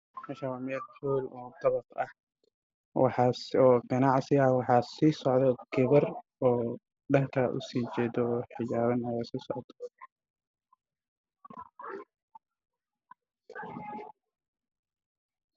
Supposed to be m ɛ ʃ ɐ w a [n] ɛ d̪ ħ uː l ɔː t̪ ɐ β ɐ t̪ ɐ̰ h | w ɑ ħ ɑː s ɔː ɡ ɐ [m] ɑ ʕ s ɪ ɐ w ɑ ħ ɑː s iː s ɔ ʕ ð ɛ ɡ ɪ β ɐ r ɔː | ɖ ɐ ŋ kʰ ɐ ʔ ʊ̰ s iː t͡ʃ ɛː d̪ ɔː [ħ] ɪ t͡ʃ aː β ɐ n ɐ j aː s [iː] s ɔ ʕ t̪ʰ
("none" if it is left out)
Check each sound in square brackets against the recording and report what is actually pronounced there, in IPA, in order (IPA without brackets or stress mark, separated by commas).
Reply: m, n, ħ, iː